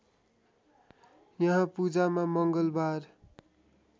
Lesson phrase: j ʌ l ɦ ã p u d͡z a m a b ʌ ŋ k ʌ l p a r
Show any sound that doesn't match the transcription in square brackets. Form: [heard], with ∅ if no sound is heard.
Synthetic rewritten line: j ʌ [∅] ɦ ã p u d͡z a m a [m] ʌ ŋ [ɡ] ʌ l [b] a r